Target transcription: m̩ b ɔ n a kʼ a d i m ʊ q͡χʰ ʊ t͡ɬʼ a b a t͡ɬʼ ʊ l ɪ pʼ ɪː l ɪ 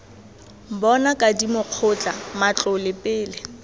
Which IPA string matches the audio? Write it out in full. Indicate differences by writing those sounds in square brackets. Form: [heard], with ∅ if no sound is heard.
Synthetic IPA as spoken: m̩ b ɔ n a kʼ a d i m ʊ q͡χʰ ʊ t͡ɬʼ a [m] a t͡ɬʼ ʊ l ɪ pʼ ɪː l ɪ